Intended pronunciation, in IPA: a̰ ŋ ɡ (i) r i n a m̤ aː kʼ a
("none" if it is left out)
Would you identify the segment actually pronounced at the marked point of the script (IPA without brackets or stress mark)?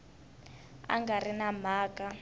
a